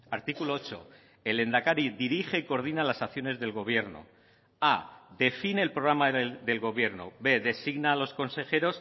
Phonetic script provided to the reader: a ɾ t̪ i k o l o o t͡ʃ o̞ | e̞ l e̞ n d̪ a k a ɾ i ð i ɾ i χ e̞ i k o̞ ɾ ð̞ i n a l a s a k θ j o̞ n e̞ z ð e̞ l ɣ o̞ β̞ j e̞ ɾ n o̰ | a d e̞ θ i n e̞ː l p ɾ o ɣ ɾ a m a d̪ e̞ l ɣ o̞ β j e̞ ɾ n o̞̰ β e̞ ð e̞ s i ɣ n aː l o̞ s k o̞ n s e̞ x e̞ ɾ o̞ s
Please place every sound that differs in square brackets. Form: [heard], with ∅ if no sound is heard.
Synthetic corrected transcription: a ɾ t̪ i k [u] l o o t͡ʃ o̞ | e̞ l e̞ n d̪ a k a ɾ i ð i ɾ i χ e̞ i k o̞ ɾ ð̞ i n a l a s a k θ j o̞ n e̞ z ð e̞ l ɣ o̞ β̞ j e̞ ɾ n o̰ | a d e̞ [f] i n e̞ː l p ɾ o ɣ ɾ a m a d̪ e̞ l ɣ o̞ β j e̞ ɾ n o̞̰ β e̞ ð e̞ s i ɣ n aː l o̞ s k o̞ n s e̞ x e̞ ɾ o̞ s